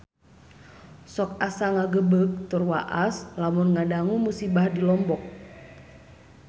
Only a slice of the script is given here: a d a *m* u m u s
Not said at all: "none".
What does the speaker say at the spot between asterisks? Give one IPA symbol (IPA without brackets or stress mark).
ŋ